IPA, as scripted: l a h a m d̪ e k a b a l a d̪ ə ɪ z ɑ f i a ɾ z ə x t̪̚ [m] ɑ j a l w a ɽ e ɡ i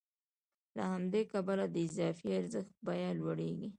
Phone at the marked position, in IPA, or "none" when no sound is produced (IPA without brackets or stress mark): b